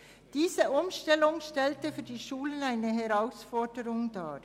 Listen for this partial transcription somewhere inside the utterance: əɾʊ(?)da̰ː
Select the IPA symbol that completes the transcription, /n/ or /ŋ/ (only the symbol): ŋ